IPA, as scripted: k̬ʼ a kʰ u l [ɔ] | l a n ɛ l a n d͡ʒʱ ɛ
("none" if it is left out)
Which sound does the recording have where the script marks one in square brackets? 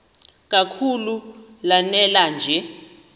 u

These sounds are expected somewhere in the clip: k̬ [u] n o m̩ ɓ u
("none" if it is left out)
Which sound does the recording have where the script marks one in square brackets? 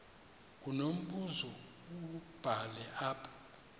u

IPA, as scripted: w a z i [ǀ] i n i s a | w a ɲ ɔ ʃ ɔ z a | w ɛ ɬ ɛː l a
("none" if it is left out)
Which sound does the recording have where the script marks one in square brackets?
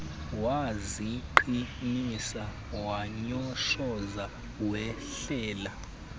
ǃ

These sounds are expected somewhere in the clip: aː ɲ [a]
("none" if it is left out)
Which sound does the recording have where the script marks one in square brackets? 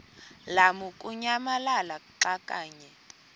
ɛ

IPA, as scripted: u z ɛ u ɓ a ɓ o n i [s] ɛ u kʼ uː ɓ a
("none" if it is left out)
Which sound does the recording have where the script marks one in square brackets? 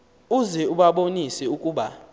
s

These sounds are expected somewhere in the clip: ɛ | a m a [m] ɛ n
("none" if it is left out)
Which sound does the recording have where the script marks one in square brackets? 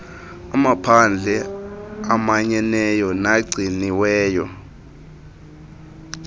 ɲ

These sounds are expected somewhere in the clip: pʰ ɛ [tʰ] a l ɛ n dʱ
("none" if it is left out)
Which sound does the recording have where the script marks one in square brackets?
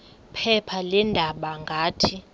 pʰ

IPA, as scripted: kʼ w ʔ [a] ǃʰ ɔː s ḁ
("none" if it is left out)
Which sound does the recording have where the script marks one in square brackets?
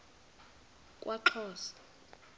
a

